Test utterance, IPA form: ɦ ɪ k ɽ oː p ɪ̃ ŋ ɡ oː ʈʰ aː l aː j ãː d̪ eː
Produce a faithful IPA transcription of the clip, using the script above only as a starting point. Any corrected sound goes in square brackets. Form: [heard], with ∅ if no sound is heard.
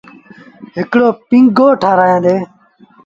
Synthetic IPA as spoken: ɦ ɪ k ɽ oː p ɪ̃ ŋ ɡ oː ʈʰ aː [ɾ] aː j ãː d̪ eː